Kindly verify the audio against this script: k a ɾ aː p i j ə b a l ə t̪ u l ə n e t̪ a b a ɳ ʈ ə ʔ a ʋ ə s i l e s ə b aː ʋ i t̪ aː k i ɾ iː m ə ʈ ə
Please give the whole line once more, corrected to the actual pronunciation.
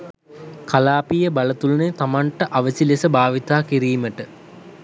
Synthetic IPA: k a l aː p i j ə b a l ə t̪ u l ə n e t̪ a m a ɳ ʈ ə ʔ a ʋ ə s i l e s ə b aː ʋ i t̪ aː k i ɾ iː m ə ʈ ə